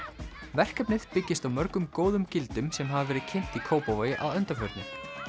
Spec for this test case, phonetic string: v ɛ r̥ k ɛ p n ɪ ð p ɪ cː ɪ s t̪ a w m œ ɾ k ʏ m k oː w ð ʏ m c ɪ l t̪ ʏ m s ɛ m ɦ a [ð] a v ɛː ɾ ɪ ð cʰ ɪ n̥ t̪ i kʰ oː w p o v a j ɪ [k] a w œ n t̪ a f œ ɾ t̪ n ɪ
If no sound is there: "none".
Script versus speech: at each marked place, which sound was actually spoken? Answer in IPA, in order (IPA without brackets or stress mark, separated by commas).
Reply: v, ʔ